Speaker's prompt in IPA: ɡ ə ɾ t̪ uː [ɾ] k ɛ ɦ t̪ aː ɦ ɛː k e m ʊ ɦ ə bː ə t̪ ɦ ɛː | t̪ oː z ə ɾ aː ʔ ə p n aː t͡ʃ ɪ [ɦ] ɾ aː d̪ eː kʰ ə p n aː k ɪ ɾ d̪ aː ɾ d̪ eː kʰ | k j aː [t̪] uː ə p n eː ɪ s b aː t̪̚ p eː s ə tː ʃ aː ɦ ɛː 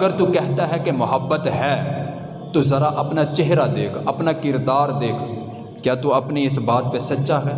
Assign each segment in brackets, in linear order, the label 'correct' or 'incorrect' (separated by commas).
incorrect, correct, correct